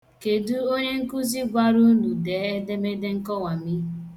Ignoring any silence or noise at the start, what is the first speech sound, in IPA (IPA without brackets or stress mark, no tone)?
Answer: k